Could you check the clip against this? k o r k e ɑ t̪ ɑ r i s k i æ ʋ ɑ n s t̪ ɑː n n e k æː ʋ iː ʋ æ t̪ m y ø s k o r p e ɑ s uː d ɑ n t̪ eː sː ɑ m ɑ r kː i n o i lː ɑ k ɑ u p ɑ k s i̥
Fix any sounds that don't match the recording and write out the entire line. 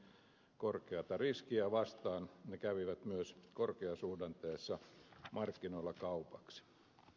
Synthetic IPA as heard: k o r k e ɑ t̪ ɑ r i s k i æ ʋ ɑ s t̪ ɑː n n e k æ ʋ i ʋ æ t̪ m y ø s k o r k e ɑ s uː d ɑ n t̪ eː sː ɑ m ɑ r kː i n o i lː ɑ k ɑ u p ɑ k s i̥